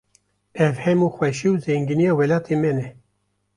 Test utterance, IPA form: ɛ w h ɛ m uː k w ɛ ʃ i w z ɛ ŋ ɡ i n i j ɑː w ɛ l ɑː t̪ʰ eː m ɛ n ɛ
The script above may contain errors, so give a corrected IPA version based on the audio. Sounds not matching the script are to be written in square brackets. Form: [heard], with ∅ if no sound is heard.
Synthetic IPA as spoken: ɛ [v] h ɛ m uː [x] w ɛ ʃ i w z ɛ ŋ ɡ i n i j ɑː w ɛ l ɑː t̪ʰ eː m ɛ n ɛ